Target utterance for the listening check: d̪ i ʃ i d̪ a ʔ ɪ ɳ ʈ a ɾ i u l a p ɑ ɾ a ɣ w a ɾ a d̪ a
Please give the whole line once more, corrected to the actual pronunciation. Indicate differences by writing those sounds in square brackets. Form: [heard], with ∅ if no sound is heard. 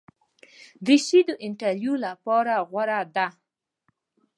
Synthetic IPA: d̪ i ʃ i d̪ [ə] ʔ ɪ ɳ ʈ a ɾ [j] u l a p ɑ ɾ a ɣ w a ɾ a d̪ a

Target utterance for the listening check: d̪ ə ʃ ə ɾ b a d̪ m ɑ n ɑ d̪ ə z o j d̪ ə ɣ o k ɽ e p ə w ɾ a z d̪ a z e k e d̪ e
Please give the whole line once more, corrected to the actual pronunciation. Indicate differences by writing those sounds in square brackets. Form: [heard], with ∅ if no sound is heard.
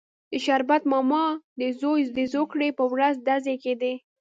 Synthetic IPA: d̪ ə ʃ [a] ɾ b a [t̪] m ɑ [m] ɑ d̪ ə z o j d̪ ə [z] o k ɽ e p ə w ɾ a z d̪ a z e k e d̪ e

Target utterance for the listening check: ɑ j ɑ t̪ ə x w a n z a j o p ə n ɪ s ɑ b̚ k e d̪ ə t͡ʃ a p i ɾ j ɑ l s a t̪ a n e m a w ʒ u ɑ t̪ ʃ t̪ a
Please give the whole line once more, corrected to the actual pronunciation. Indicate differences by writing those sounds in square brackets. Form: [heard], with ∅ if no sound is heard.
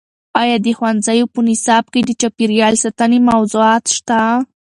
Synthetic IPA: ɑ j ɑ [d̪] ə x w a n z a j o p ə n ɪ s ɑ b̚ k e d̪ ə t͡ʃ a p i ɾ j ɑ l s a t̪ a n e m a w [z] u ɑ t̪ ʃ t̪ a

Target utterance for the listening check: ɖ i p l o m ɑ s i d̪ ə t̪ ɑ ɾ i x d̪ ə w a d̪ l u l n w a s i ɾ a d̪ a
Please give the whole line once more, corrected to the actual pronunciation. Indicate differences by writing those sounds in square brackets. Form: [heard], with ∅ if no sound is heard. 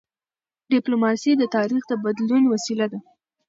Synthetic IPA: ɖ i p l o m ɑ s i d̪ ə t̪ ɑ ɾ i x d̪ ə [b] a d̪ l u [∅] n w a s i [l] a d̪ a

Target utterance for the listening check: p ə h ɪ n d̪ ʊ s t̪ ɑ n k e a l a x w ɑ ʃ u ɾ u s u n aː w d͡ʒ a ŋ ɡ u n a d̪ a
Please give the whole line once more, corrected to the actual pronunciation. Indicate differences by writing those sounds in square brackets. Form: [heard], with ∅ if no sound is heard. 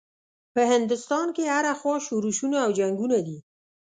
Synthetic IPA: p ə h ɪ n d̪ ʊ s t̪ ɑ n k e a [ɾ] a x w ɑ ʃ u ɾ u [ʃ] u n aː w d͡ʒ a ŋ ɡ u n a d̪ [i]

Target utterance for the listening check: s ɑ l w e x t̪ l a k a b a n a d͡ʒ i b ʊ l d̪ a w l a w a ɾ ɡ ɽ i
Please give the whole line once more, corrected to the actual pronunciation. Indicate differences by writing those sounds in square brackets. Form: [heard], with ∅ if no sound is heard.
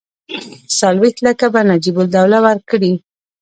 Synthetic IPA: s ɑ l w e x t̪ l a k a b a n a d͡ʒ i b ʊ l d̪ a w l a w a ɾ [k] ɽ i

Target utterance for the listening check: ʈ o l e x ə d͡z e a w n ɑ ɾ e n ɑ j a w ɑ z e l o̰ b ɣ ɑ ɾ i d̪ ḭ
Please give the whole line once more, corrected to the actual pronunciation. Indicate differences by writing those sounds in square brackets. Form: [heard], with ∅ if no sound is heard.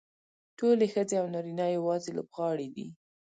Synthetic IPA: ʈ o l e x ə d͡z e a w n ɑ ɾ [i] n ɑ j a w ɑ z e l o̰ b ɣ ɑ [ɽ] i d̪ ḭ

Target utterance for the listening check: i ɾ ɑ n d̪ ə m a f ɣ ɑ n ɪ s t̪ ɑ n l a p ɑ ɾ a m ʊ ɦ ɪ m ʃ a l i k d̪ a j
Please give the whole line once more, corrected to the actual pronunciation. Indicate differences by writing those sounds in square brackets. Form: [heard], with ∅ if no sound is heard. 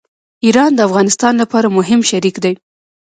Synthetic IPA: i ɾ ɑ n d̪ ə [∅] a f ɣ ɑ n ɪ s t̪ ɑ n l a p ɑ ɾ a m ʊ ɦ ɪ m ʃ a [ɾ] i k d̪ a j

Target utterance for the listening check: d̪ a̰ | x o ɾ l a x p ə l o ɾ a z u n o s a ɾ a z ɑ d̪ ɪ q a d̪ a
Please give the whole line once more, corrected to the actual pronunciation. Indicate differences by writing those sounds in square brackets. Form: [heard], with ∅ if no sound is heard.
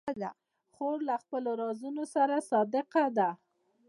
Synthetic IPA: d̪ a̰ | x o ɾ l a x p ə l o ɾ [ɑ] z u n o s a ɾ a [s] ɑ d̪ ɪ q a d̪ a

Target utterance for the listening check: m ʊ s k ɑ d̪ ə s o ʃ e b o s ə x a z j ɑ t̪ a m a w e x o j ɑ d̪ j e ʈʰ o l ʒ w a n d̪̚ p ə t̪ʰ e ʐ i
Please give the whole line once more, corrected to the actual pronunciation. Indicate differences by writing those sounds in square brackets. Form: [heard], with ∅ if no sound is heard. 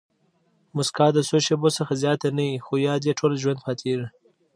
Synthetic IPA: m ʊ s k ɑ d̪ ə s o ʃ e b o s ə x a z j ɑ t̪ a [n] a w [i] x o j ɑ d̪ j e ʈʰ o l ʒ w a n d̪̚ p [ɑ] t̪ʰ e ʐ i

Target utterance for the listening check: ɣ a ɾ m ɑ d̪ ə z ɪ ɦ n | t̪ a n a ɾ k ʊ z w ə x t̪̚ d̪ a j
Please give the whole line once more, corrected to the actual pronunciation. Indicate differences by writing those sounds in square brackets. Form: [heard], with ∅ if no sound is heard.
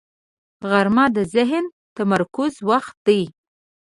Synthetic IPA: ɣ a ɾ m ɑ d̪ ə z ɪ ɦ n | t̪ a [m] a ɾ k ʊ z w [a] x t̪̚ d̪ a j

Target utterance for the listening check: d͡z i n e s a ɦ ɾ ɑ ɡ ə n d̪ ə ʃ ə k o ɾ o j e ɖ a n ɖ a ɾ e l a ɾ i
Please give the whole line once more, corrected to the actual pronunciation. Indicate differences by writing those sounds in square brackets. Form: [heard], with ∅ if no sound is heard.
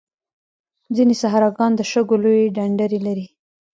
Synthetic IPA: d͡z i n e s a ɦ ɾ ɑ ɡ [ɑ] n d̪ ə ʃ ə [ɡ] o [l] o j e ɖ a [ɳ] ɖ a ɾ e l a ɾ i

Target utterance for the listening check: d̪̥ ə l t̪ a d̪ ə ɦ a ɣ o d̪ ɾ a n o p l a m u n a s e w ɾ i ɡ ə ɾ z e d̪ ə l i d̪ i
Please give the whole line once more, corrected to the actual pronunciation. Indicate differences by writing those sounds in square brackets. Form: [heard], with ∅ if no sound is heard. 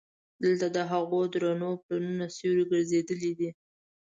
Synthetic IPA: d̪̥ ə l t̪ a d̪ ə ɦ a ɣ o d̪ ɾ a n o p l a [n] u n a s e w ɾ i ɡ ə ɾ z e d̪ ə l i d̪ i

